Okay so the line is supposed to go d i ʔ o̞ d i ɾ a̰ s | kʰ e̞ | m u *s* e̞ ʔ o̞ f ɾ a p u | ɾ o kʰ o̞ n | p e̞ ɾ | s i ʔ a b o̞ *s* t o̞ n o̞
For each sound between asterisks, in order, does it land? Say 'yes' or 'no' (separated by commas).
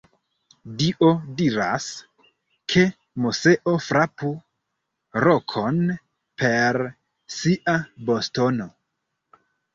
yes, yes